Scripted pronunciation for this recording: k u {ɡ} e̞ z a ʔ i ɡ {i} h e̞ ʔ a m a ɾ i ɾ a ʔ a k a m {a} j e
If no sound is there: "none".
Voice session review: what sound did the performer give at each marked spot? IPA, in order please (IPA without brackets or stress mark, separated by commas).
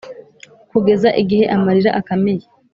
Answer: ɡ, i, e